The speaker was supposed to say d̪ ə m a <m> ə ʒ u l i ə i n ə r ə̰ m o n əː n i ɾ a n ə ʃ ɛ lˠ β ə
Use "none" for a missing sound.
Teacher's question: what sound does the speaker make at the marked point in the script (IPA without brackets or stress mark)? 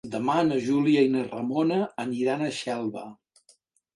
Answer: n